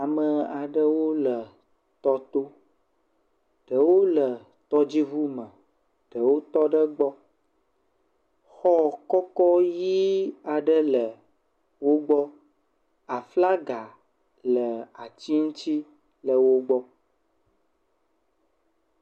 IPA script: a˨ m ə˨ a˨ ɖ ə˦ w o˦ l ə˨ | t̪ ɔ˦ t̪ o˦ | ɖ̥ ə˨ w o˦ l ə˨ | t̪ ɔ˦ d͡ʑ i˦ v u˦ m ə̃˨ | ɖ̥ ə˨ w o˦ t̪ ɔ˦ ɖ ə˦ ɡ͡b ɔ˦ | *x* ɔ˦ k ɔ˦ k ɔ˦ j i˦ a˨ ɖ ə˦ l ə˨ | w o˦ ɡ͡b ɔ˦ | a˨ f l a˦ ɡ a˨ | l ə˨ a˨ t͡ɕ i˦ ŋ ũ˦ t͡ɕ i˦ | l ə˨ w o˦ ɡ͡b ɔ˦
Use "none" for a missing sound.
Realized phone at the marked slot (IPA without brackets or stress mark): x